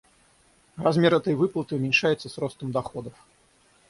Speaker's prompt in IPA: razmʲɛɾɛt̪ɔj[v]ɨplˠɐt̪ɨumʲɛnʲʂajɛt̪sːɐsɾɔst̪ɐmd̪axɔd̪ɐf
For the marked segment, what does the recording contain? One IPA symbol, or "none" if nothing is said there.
v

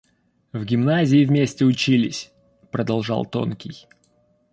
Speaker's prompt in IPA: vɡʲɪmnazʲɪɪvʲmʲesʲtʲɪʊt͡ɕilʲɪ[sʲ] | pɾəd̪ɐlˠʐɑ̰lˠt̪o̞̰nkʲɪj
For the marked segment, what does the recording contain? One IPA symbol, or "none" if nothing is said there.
sʲ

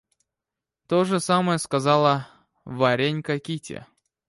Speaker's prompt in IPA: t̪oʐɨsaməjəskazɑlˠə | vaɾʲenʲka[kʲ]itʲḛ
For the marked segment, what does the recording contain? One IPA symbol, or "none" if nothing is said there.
kʲ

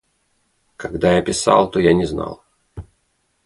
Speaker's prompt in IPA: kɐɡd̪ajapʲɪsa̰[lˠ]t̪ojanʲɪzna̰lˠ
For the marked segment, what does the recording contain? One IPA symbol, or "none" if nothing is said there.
lˠ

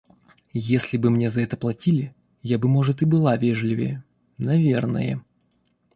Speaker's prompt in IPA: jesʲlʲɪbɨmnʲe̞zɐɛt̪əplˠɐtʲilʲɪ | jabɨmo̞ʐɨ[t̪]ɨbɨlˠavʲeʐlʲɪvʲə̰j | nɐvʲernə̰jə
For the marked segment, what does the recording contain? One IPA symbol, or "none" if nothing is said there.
t̪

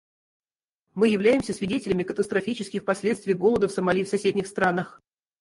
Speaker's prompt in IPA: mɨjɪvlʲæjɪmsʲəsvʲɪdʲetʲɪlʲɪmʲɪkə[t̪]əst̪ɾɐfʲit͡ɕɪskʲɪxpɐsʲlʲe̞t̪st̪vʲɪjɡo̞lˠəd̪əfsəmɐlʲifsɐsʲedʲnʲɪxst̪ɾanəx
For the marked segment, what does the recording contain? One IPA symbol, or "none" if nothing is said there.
t̪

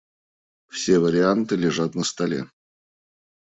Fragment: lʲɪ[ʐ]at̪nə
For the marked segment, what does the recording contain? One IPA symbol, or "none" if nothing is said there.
ʐ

